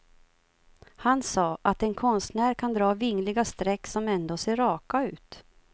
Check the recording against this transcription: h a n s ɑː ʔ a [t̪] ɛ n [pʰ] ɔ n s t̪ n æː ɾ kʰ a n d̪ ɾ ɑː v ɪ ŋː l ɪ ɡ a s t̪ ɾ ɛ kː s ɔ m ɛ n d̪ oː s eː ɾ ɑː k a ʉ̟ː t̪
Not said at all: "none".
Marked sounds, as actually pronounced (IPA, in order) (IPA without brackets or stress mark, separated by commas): t̪, kʰ